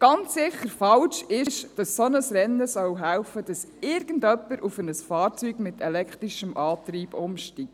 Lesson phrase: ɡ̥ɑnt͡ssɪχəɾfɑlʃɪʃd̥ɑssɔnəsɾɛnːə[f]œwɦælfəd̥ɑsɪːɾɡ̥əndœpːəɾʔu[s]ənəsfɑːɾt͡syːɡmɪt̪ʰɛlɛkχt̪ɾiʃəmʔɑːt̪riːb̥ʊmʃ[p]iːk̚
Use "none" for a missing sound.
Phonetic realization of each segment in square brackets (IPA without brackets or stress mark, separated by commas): s, f, t